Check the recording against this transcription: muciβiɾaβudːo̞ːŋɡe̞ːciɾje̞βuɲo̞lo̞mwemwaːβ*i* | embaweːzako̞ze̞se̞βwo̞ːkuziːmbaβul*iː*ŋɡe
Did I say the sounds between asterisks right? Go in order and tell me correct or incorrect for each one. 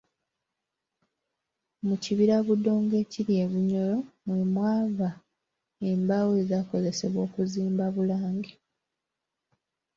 incorrect: a, incorrect: aː

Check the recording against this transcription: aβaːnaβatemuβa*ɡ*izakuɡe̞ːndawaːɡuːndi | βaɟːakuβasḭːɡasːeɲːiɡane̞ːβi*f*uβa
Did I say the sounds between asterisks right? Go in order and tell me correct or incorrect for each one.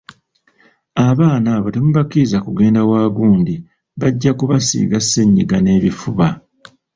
incorrect: k, correct

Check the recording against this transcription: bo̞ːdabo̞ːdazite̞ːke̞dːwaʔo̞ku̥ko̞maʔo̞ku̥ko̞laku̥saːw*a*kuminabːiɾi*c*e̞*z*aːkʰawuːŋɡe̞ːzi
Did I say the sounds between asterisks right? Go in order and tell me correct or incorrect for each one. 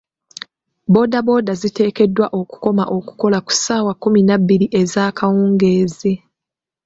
correct, incorrect: ʔ, correct

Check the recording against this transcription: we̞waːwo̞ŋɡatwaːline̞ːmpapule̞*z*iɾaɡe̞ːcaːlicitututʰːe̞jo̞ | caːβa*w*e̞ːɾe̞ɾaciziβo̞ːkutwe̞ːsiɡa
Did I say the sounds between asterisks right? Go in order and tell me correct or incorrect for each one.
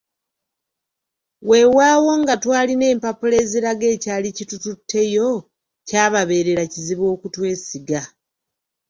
correct, incorrect: β

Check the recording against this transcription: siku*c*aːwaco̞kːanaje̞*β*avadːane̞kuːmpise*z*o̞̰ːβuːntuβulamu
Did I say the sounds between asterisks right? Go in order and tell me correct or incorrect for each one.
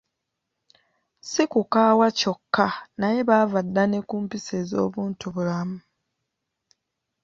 incorrect: k, correct, correct

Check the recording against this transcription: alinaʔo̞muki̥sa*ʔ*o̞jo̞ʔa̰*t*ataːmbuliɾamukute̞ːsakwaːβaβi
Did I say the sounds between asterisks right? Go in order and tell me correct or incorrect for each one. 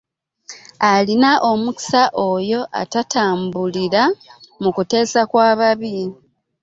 correct, correct

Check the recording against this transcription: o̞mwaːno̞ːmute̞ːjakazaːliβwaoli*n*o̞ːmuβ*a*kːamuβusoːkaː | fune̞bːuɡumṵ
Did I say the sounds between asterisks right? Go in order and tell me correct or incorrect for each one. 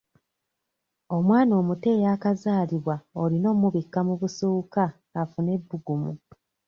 correct, incorrect: i

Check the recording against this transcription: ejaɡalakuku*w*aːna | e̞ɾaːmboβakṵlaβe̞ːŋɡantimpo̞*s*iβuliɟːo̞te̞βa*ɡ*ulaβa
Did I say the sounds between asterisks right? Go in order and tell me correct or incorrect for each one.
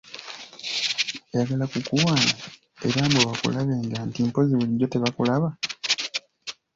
correct, incorrect: z, incorrect: k

